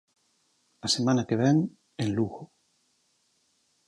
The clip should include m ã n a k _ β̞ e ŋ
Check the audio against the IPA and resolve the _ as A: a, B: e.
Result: B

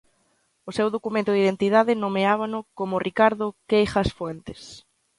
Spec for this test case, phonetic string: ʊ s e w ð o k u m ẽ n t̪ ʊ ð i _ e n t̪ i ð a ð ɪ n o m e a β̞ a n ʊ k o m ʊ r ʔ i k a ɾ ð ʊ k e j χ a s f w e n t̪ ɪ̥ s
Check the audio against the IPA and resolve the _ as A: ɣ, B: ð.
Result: B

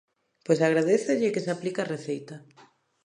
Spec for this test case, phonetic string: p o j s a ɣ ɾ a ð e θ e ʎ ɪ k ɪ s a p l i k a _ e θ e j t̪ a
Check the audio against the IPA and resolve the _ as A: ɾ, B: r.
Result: B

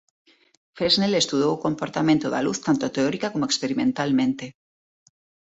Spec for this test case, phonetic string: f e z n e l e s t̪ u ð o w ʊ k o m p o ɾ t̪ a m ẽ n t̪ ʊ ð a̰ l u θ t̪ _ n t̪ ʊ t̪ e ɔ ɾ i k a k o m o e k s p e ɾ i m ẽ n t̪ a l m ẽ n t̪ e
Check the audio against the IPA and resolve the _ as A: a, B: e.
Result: A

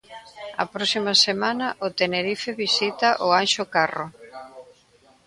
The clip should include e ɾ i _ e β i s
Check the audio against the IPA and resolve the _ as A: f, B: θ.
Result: A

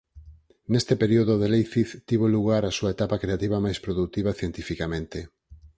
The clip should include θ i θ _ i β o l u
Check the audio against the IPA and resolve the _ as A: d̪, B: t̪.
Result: B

